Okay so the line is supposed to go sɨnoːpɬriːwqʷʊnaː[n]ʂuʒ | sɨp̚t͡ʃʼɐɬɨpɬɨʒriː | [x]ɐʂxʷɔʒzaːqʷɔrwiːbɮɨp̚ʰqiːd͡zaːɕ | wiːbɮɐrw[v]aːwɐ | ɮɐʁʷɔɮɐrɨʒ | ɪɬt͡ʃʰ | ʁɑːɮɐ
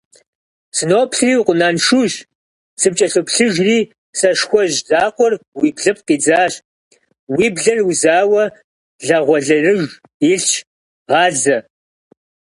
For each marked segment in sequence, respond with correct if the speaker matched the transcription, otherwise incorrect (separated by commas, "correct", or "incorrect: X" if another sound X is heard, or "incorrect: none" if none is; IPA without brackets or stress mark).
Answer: correct, incorrect: s, incorrect: z